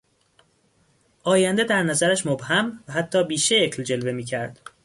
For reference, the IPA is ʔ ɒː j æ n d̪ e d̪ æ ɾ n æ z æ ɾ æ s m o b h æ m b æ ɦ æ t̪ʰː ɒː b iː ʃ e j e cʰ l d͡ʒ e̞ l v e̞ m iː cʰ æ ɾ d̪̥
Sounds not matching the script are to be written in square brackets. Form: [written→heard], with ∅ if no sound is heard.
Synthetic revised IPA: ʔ ɒː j æ n d̪ e d̪ æ ɾ n æ z æ ɾ æ [s→ʃ] m o b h æ m [b→v] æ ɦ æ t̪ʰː ɒː b iː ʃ e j e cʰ l d͡ʒ e̞ l v e̞ m iː cʰ æ ɾ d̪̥